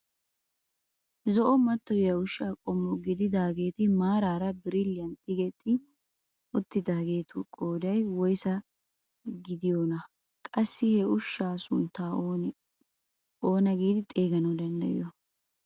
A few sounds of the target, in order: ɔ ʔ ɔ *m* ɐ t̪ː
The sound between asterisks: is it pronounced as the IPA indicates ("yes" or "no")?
yes